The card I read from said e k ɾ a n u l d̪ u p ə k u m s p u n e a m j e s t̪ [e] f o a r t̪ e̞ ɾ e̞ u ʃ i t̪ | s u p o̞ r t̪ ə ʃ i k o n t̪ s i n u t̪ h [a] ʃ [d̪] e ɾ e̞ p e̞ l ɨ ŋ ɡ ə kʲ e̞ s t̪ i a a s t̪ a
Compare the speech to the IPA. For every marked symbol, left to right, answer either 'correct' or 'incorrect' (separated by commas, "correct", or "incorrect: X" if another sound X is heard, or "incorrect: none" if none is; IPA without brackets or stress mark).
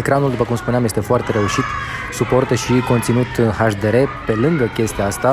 correct, correct, correct